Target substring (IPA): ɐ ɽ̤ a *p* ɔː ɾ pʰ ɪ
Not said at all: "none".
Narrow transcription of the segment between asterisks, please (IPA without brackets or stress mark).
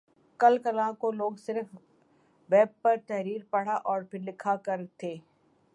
ʔ